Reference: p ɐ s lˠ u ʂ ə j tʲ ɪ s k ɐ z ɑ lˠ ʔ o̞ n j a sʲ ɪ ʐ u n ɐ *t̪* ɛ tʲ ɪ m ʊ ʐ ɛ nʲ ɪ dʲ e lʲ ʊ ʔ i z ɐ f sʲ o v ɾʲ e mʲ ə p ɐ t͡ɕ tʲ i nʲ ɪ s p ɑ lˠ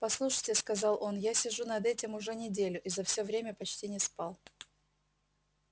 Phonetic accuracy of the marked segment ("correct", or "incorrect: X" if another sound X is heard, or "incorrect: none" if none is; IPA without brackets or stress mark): incorrect: d̪